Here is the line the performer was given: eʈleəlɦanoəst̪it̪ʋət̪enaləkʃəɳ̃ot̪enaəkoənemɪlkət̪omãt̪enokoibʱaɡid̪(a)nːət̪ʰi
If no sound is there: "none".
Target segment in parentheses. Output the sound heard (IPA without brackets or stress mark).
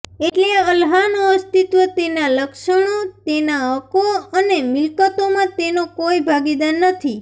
a